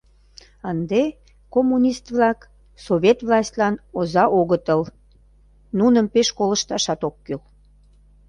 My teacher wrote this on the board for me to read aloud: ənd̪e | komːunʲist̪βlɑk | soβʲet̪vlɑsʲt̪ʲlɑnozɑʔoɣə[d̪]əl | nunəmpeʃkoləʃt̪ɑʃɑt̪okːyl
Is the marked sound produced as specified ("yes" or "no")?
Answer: no